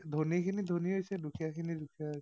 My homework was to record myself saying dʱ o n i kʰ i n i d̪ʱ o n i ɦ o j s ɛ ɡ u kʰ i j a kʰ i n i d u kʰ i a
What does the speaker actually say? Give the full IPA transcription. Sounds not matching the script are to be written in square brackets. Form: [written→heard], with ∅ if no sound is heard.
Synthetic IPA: dʱ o n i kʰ i n i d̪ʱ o n i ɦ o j s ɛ [ɡ→d] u kʰ i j a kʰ i n i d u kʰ i a